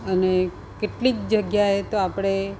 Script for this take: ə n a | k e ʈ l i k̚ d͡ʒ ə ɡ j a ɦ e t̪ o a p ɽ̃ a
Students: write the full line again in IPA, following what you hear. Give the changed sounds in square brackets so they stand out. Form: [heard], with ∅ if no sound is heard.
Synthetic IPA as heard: ə n [e] | k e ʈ l i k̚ d͡ʒ ə ɡ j a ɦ e t̪ o a p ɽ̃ [e]